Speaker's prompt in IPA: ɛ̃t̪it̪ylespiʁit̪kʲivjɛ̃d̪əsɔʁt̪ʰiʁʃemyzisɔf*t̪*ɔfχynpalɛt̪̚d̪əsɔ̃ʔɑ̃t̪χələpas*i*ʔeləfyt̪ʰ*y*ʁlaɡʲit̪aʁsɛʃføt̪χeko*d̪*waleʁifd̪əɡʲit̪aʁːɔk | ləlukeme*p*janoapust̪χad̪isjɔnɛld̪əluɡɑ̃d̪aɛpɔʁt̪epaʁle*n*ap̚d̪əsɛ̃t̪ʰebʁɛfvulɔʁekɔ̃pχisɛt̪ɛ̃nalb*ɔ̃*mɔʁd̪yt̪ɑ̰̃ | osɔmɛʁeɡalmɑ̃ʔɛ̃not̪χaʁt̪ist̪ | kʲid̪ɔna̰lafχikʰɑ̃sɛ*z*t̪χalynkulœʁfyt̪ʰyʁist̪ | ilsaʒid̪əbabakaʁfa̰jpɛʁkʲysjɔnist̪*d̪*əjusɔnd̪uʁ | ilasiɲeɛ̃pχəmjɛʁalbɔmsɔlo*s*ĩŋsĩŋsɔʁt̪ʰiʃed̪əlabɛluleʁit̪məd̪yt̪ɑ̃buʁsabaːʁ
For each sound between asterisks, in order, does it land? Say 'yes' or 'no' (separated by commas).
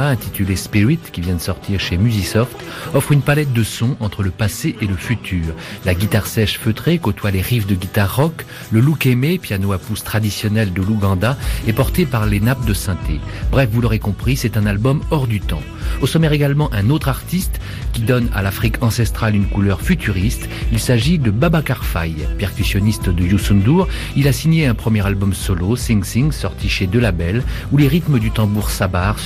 yes, no, no, no, yes, yes, no, no, yes, yes